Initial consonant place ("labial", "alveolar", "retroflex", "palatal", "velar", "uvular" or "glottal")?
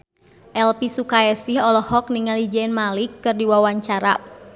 glottal